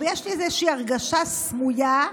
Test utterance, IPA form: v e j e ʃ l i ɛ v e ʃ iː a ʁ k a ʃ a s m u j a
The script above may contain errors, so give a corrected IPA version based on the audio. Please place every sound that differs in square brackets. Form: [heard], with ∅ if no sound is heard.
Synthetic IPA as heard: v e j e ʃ l i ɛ [z] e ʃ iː a ʁ [ɡ] a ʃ a s m u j a